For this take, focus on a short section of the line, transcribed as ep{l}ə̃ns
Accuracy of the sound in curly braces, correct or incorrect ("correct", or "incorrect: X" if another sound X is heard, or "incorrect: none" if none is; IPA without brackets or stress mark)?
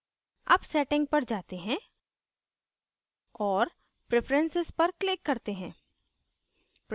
incorrect: ɾ